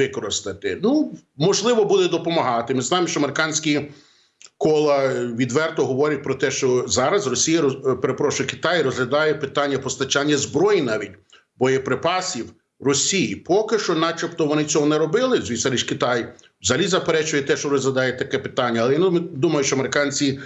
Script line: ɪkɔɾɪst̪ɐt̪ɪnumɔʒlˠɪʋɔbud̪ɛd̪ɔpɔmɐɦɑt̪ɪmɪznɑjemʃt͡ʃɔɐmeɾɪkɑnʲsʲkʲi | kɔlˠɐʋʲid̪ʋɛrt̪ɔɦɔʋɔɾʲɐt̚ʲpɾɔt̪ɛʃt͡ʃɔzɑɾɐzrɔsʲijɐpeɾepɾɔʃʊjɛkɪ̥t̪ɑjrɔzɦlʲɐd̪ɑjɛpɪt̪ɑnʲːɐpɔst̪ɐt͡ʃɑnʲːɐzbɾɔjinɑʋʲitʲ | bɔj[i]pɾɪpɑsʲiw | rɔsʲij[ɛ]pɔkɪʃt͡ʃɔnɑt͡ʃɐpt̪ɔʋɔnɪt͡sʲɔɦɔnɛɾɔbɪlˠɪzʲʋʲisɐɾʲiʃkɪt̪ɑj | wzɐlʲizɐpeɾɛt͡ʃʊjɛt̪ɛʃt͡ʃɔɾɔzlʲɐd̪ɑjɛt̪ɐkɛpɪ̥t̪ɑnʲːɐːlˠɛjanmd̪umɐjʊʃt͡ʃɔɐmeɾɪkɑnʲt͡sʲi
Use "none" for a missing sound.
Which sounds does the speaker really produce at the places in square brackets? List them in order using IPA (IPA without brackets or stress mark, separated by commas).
ɛ, i